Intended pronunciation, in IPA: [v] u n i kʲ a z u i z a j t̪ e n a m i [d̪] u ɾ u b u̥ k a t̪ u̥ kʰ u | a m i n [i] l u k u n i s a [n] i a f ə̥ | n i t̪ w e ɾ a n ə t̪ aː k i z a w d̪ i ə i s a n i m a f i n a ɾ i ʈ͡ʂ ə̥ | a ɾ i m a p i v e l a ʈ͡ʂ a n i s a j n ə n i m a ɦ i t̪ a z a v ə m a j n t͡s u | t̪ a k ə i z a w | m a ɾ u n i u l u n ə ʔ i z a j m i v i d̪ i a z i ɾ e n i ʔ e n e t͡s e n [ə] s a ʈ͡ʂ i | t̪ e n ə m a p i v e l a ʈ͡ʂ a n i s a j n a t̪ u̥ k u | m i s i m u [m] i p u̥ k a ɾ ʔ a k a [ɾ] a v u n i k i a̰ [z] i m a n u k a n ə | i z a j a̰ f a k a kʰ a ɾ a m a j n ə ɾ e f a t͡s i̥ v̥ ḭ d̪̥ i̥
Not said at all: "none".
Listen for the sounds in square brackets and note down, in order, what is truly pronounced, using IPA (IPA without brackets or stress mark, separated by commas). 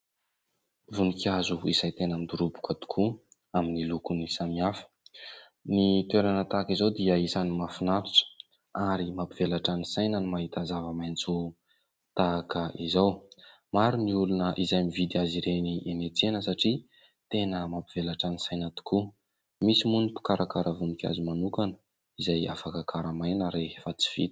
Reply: v, d̪, i, m, ə, n, ɾ, z